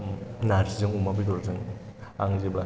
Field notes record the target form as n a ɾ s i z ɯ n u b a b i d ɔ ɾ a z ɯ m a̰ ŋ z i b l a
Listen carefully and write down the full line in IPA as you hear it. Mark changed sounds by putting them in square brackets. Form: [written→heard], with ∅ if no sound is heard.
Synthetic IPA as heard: n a ɾ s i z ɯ [n→ŋ] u [b→m] a b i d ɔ ɾ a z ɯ [m→ŋ] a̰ ŋ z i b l a